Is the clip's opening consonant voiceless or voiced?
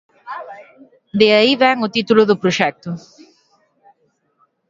voiced